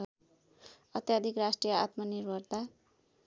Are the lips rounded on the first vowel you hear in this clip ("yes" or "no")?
no